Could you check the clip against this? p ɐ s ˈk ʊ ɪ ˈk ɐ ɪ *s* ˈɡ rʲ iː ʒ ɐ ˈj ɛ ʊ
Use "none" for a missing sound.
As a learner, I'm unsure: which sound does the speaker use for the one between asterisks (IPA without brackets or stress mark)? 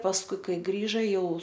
none